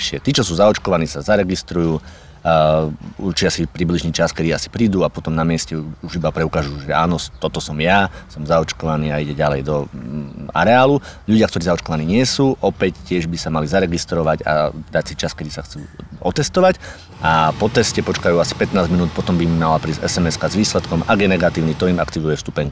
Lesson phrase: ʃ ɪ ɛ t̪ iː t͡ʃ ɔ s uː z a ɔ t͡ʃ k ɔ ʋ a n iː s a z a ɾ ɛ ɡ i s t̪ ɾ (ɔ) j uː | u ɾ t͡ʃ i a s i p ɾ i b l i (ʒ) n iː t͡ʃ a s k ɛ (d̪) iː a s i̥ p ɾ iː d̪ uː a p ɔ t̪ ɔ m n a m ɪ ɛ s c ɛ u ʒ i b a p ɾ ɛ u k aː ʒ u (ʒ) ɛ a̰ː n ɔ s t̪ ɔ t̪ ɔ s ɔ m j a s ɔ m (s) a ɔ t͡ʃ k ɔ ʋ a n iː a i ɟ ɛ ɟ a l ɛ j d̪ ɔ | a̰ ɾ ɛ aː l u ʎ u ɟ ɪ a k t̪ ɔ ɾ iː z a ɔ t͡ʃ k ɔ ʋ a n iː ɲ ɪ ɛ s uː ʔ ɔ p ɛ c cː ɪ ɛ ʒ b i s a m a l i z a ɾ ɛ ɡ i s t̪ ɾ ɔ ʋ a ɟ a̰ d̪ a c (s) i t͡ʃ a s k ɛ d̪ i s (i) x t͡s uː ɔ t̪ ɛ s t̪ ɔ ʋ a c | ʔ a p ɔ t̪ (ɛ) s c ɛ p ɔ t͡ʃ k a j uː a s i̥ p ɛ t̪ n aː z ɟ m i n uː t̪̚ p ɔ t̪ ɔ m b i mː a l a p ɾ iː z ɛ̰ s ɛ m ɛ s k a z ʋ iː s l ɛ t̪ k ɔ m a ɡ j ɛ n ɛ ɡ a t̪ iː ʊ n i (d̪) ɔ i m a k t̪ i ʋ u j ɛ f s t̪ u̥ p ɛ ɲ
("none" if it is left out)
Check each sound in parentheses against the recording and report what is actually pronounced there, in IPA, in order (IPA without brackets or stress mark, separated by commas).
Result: u, ʒ, d̪, ʒ, z, s, a, ɛ, t̪